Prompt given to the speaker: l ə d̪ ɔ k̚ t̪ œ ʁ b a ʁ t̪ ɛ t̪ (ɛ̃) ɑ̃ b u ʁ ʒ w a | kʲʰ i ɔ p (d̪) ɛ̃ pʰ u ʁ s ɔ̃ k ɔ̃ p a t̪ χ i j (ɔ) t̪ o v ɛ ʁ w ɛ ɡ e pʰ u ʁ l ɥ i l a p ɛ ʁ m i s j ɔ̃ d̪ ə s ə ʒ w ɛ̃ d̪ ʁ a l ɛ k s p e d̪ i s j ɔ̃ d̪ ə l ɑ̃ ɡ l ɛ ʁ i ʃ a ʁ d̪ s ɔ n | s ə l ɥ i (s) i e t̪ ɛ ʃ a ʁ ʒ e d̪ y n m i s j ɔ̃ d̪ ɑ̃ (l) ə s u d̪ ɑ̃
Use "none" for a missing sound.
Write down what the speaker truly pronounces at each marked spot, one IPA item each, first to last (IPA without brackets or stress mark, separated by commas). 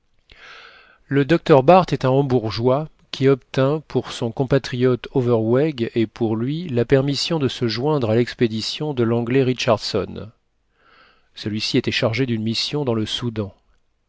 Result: ɛ̃, t̪, ɔ, s, l